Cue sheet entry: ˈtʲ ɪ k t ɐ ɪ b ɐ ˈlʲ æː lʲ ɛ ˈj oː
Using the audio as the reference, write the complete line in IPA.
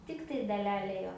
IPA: ˈtʲ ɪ k t ɐ ɪ d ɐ ˈlʲ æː lʲ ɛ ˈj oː